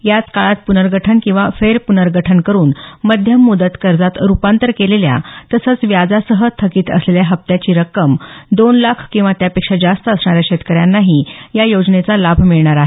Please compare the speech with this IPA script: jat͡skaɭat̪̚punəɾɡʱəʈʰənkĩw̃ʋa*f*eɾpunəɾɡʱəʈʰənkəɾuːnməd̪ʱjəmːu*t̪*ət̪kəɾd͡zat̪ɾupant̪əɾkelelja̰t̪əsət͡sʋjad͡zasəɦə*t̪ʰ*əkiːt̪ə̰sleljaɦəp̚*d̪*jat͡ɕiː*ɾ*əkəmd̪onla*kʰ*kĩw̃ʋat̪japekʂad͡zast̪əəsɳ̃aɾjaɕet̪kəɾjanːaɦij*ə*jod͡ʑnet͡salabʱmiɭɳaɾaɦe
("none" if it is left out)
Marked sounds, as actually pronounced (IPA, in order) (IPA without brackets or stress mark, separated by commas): f, d̪, t̪ʰ, t̪, ɾ, kʰ, a